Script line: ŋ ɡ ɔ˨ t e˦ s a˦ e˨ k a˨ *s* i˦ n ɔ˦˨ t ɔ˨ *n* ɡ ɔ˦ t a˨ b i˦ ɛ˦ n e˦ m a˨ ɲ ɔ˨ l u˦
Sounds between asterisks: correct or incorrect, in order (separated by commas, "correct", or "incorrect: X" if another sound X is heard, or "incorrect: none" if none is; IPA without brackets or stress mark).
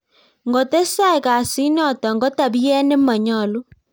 correct, incorrect: ŋ